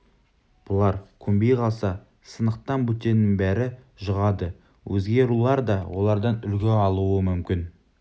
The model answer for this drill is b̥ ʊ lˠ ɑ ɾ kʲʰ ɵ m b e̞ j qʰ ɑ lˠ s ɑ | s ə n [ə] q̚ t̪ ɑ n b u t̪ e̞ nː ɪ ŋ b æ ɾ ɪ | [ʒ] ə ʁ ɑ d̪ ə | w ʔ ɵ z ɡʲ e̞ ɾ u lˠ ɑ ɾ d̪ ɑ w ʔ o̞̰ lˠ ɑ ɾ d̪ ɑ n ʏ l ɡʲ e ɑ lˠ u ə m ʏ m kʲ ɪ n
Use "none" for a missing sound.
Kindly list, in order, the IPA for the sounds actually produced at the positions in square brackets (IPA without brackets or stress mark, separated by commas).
ə, ʒ